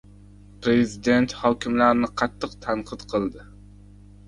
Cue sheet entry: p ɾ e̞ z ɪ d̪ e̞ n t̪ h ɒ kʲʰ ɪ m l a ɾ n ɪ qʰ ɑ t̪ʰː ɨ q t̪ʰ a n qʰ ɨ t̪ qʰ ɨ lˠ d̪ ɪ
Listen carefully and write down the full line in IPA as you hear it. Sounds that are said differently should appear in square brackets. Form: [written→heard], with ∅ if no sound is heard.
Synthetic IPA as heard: p ɾ e̞ z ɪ d̪ e̞ n t̪ h ɒ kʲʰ ɪ m l a ɾ n ɪ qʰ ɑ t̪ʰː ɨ q t̪ʰ a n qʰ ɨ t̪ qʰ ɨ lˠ d̪ ɪ